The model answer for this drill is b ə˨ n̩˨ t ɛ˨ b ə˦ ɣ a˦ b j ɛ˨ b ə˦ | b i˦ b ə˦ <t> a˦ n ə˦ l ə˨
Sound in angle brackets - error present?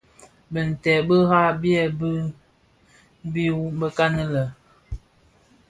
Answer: yes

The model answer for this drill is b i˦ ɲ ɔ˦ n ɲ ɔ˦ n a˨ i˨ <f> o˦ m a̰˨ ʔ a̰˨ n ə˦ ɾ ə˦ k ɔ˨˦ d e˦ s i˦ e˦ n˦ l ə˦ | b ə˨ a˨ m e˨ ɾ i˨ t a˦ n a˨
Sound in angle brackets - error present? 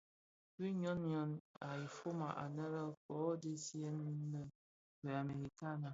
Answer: no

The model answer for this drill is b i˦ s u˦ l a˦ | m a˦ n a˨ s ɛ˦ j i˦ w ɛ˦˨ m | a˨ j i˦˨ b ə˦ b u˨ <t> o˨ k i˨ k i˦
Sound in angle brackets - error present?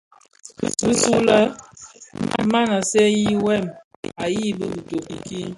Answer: no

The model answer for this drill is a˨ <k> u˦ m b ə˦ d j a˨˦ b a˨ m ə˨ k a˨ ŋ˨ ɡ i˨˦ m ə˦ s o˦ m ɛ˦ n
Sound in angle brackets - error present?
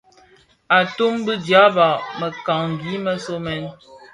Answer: yes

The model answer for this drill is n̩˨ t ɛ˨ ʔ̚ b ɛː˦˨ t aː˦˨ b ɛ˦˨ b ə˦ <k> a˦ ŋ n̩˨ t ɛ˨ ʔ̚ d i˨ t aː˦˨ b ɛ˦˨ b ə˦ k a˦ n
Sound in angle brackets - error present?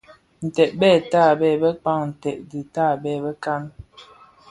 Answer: yes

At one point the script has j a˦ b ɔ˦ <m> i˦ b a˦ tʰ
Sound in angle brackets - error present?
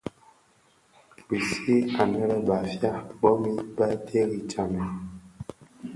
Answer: no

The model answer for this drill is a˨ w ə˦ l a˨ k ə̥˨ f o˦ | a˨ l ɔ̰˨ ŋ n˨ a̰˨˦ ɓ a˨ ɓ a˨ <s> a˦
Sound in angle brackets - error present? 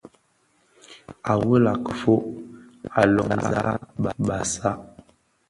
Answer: no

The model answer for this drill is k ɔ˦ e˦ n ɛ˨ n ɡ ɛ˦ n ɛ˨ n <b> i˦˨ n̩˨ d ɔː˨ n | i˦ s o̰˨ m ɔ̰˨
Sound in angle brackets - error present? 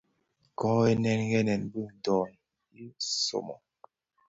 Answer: no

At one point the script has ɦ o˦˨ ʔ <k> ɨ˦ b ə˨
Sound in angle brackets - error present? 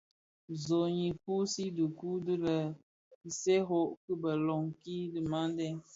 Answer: no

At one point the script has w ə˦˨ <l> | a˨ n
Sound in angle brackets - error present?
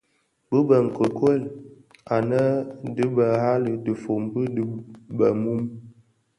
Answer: no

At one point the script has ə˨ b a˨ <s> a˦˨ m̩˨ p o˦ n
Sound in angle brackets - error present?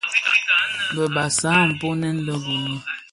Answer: no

